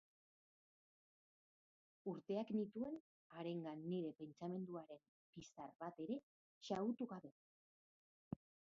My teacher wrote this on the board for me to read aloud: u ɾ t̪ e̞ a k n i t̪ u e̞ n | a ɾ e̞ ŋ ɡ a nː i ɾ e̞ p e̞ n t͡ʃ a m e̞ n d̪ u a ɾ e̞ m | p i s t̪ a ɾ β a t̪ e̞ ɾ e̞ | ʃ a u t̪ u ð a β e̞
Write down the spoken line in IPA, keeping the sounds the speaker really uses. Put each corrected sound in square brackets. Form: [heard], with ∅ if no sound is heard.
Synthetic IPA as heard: u ɾ t̪ e̞ a k n i t̪ u e̞ n | a ɾ e̞ ŋ ɡ a nː i ɾ e̞ p e̞ n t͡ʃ a m e̞ n d̪ u a ɾ e̞ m | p i s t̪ a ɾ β a t̪ e̞ ɾ e̞ | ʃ a u t̪ u [ɣ] a β e̞